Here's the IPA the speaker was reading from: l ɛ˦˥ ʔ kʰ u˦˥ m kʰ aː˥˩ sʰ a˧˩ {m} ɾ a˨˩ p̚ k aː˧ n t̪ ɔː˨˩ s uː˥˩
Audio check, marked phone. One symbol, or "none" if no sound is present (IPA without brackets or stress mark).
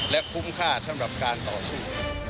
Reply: m